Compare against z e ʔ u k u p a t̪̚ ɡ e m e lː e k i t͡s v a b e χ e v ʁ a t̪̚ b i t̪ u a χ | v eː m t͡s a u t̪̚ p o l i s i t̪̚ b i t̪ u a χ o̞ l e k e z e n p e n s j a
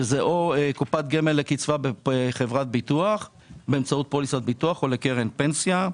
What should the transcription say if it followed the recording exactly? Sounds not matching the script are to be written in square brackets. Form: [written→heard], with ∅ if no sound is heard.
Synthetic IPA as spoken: z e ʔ [u→o] k u p a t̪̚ ɡ e m e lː e k i t͡s v a b e χ e v ʁ a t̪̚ b i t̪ u a χ | [v→b] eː m t͡s a u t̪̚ p o l i s [i→a] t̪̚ b i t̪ u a χ o̞ l e k e [z→ʁ] e n p e n s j a